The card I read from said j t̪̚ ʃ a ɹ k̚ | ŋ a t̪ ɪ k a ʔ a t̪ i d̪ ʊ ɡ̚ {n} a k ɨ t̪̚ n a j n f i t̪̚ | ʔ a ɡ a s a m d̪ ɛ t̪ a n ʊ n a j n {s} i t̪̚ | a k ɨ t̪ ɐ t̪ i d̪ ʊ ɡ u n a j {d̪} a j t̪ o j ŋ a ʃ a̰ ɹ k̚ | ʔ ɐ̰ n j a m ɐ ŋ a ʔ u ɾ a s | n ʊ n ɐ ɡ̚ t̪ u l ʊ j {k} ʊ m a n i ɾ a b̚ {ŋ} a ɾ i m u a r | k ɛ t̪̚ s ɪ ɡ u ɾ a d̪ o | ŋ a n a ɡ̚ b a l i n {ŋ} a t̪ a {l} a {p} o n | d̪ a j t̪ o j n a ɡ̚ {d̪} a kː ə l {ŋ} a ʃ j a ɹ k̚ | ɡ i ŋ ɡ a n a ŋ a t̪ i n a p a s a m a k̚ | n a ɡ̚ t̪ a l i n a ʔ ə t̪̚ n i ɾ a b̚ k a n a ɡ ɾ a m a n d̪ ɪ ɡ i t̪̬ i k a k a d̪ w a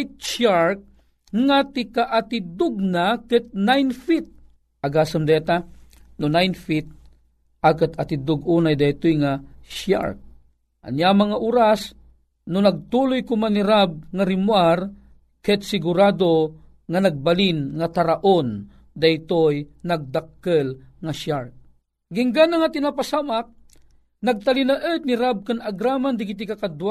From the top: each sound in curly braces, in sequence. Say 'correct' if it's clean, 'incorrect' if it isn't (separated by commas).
correct, incorrect, correct, correct, correct, correct, incorrect, incorrect, correct, correct